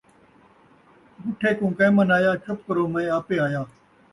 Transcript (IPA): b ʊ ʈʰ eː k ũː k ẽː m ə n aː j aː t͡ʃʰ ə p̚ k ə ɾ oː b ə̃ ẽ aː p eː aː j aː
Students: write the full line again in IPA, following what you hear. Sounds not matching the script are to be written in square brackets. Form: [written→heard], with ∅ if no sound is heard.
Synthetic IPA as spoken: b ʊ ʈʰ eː k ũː k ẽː m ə n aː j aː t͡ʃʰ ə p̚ k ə ɾ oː [b→m] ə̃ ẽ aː p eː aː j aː